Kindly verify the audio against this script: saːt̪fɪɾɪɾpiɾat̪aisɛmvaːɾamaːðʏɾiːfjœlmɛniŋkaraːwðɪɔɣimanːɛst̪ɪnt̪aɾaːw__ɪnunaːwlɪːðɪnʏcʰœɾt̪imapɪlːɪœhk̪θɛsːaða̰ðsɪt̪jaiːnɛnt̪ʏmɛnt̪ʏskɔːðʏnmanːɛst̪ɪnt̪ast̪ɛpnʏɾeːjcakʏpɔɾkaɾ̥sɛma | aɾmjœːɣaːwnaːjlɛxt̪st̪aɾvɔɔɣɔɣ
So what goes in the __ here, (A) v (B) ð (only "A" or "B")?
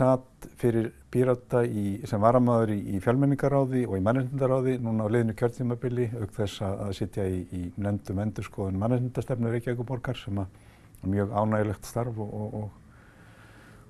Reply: B